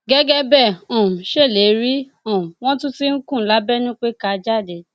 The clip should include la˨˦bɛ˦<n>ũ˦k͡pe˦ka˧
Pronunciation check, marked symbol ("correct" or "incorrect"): correct